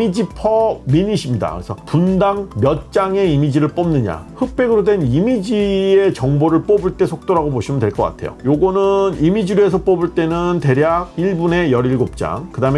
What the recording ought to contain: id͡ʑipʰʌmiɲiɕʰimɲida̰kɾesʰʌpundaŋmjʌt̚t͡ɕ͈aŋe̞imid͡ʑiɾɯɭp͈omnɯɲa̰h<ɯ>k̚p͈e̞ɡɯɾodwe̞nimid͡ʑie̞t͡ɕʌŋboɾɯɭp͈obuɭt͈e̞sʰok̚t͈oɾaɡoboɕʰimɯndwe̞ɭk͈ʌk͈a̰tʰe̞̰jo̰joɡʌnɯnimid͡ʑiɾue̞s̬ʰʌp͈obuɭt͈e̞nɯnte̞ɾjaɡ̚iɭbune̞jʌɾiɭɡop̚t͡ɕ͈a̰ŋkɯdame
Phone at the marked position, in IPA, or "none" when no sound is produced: ɯ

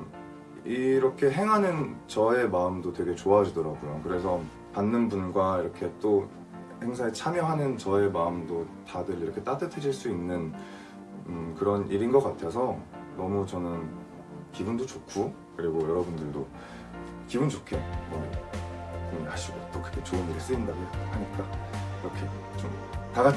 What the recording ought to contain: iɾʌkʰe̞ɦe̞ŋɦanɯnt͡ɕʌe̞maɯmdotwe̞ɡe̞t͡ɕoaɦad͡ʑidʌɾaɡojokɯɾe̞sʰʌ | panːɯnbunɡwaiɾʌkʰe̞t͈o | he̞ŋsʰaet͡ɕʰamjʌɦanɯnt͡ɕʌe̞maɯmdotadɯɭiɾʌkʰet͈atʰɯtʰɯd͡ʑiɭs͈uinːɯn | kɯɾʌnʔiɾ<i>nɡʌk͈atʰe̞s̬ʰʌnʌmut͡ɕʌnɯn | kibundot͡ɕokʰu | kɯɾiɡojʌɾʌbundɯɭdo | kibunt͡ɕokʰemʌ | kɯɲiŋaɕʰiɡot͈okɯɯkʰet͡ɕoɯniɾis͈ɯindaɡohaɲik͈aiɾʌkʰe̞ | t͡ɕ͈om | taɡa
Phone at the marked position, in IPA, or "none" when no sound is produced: i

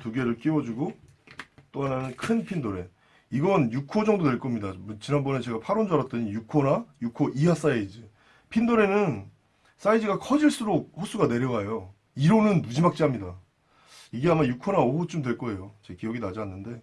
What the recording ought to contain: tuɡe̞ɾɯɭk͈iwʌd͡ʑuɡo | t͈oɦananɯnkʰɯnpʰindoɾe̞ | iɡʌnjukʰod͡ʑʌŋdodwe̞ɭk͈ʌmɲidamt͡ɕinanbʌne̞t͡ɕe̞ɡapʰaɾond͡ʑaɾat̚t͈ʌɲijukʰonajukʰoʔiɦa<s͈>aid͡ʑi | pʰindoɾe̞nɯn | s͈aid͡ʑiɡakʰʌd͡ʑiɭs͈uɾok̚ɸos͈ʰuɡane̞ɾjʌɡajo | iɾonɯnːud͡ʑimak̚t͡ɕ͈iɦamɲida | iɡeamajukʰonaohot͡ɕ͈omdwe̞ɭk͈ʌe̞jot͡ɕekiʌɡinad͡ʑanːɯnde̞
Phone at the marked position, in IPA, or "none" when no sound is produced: s͈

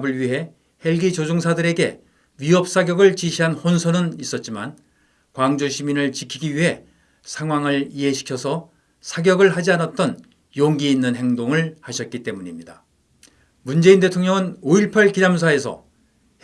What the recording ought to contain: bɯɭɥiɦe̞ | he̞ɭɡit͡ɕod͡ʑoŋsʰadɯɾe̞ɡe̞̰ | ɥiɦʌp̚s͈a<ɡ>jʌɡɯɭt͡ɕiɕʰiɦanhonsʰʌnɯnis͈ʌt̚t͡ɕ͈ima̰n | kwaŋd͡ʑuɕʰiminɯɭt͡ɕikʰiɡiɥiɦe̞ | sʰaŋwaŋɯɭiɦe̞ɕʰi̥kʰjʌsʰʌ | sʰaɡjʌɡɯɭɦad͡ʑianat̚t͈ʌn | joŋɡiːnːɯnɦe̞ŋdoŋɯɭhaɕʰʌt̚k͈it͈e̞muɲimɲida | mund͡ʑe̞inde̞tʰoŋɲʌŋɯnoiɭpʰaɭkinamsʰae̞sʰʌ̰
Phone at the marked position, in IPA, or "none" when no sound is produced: ɡ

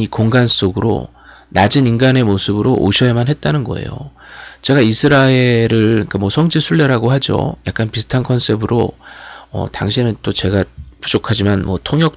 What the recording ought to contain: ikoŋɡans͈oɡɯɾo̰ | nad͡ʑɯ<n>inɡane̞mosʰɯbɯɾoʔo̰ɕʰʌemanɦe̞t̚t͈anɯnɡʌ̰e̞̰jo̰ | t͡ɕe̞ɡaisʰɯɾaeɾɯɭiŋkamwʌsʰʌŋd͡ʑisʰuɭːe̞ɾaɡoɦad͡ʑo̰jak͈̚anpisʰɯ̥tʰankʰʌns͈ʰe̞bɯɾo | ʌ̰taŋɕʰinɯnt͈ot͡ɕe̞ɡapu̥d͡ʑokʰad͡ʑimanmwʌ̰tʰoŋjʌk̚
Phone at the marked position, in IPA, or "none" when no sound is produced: n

